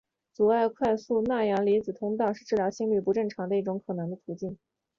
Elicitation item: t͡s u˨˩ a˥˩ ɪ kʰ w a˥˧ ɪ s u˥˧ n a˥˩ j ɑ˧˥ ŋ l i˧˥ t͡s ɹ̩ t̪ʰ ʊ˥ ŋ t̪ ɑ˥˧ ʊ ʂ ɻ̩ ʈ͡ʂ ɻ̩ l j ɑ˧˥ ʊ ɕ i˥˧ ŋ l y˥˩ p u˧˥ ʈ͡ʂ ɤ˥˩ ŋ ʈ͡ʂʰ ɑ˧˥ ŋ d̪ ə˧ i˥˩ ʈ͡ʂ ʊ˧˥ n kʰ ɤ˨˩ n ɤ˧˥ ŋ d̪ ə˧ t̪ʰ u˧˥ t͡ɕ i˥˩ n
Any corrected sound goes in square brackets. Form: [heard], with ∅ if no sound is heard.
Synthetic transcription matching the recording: t͡s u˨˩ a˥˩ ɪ kʰ w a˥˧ ɪ s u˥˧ n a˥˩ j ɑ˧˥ ŋ l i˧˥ t͡s ɹ̩ t̪ʰ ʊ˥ ŋ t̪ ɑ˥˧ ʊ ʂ ɻ̩ ʈ͡ʂ ɻ̩ l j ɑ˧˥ ʊ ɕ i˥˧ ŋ l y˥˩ p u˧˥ ʈ͡ʂ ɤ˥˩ ŋ ʈ͡ʂʰ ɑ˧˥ ŋ d̪ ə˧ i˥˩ ʈ͡ʂ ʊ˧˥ [ŋ] kʰ ɤ˨˩ n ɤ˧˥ ŋ d̪ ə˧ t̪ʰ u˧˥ t͡ɕ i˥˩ n

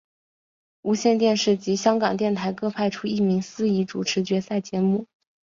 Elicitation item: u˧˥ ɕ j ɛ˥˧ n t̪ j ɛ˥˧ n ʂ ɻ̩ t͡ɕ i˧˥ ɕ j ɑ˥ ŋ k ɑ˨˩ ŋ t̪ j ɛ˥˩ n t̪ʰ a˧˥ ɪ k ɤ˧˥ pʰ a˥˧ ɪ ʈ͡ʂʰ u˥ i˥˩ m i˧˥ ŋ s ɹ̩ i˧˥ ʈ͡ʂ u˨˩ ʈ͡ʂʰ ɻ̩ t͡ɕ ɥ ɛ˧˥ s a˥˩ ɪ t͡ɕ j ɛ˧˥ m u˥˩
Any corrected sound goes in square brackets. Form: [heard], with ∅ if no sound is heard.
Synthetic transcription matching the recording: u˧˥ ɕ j ɛ˥˧ n t̪ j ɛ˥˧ n ʂ ɻ̩ t͡ɕ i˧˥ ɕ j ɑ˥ ŋ k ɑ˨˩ ŋ t̪ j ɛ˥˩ n t̪ʰ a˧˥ ɪ k [ɤ˥˧] pʰ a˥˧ ɪ ʈ͡ʂʰ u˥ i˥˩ m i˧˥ ŋ s ɹ̩ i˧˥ ʈ͡ʂ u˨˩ ʈ͡ʂʰ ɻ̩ t͡ɕ ɥ ɛ˧˥ s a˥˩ ɪ t͡ɕ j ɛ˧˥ m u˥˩

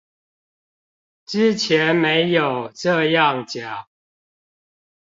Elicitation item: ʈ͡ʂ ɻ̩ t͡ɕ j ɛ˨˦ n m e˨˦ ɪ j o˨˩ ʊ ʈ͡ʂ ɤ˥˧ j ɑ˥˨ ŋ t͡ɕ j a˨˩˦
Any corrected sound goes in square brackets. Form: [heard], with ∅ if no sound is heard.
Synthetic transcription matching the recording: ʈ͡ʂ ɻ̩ [t͡ɕʰ] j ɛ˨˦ n m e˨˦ ɪ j o˨˩ ʊ ʈ͡ʂ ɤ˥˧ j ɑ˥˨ ŋ t͡ɕ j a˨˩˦

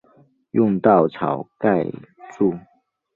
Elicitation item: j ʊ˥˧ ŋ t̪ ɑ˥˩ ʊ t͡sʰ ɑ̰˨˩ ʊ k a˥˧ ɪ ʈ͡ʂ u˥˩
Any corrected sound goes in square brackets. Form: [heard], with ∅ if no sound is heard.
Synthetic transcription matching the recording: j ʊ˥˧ ŋ t̪ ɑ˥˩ ʊ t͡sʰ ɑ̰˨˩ ʊ k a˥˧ ɪ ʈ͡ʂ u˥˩

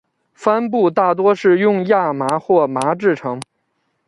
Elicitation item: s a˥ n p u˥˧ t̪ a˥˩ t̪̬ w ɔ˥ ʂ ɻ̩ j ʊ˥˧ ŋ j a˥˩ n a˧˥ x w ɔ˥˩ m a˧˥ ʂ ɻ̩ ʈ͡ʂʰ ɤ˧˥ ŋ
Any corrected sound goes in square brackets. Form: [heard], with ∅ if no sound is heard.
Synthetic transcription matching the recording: [f] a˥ n p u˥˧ t̪ a˥˩ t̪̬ w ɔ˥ ʂ ɻ̩ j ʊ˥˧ ŋ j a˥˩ [m] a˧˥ x w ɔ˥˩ m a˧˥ [ʈ͡ʂ] ɻ̩ ʈ͡ʂʰ ɤ˧˥ ŋ

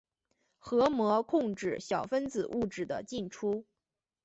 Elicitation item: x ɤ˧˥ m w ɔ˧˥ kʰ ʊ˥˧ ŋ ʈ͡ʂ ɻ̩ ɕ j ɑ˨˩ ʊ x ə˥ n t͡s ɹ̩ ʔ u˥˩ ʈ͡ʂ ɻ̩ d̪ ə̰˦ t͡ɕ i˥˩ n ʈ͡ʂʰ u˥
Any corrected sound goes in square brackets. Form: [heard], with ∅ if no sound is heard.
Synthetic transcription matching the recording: x ɤ˧˥ m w ɔ˧˥ kʰ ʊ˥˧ ŋ ʈ͡ʂ ɻ̩ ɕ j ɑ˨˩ ʊ [f] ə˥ n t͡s ɹ̩ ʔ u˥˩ ʈ͡ʂ ɻ̩ d̪ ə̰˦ t͡ɕ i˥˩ n ʈ͡ʂʰ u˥

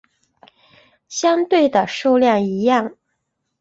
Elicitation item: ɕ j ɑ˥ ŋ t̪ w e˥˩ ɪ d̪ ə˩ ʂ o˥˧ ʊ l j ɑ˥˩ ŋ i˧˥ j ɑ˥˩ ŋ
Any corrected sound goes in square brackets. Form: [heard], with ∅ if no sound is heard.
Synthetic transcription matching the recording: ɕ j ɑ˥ ŋ t̪ w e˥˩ ɪ d̪ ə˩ ʂ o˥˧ ʊ l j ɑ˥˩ ŋ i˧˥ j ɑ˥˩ ŋ

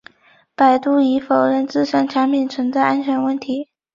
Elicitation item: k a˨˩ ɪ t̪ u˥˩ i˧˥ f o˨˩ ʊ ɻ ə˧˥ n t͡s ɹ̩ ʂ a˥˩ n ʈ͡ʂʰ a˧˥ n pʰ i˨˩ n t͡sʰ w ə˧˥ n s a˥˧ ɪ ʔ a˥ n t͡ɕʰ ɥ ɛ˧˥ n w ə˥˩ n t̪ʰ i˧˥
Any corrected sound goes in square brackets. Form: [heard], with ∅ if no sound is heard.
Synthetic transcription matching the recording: [p] a˨˩ ɪ t̪ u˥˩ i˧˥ f o˨˩ ʊ ɻ [ə˥˧] n t͡s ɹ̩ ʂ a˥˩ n ʈ͡ʂʰ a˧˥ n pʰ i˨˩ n t͡sʰ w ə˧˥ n [t͡s] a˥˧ ɪ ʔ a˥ n t͡ɕʰ ɥ ɛ˧˥ n w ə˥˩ n t̪ʰ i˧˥

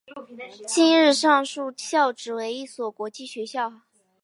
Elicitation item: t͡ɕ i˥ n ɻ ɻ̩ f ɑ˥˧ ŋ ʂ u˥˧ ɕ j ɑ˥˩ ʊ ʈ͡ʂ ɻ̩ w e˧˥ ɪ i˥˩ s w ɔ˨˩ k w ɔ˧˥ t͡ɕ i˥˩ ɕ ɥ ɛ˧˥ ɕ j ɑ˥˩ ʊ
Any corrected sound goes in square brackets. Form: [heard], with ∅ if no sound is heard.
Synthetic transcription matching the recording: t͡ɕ i˥ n ɻ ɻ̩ [ʂ] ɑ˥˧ ŋ ʂ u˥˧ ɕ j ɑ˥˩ ʊ ʈ͡ʂ ɻ̩ w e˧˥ ɪ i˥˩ s w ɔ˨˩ k w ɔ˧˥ t͡ɕ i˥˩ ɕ ɥ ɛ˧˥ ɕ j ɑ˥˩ ʊ

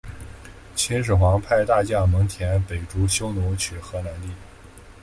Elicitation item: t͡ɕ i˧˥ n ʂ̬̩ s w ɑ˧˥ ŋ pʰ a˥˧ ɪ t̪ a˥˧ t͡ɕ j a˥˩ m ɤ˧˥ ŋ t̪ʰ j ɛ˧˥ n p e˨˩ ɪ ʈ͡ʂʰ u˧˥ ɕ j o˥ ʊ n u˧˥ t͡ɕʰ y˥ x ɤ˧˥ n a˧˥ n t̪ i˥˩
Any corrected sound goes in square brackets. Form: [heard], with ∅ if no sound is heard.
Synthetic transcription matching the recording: [t͡ɕʰ] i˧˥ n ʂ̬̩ [x] w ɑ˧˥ ŋ pʰ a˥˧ ɪ t̪ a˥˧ t͡ɕ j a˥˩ m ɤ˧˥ ŋ t̪ʰ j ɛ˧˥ n p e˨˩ ɪ [ʈ͡ʂ] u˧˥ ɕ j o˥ ʊ n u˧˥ t͡ɕʰ [y˨˩] x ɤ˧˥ n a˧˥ n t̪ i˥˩

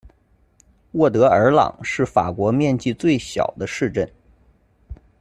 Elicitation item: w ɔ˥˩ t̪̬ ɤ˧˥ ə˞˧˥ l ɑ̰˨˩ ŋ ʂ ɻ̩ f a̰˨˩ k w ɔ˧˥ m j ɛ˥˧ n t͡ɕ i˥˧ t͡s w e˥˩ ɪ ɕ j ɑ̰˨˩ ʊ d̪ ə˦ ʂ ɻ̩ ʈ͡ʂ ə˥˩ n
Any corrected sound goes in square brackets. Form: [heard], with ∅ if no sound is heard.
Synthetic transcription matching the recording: w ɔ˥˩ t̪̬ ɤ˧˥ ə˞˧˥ l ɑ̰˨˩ ŋ ʂ ɻ̩ f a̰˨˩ k w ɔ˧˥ m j ɛ˥˧ n t͡ɕ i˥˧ t͡s w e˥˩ ɪ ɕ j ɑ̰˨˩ ʊ d̪ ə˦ ʂ ɻ̩ ʈ͡ʂ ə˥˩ n

